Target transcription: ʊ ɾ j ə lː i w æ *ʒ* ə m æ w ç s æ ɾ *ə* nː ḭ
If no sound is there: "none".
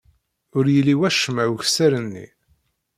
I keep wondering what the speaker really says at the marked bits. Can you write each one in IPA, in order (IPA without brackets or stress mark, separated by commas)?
ʃ, ə